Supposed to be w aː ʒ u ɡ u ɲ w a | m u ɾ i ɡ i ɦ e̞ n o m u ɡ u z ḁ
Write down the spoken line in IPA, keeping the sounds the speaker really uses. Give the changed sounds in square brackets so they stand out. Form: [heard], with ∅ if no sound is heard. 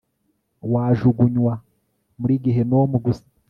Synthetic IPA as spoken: w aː ʒ u ɡ u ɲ w a | m u ɾ i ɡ i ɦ e̞ n o m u ɡ u [s] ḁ